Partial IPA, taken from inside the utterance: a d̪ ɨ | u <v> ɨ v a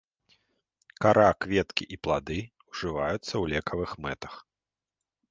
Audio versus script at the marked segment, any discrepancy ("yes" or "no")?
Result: yes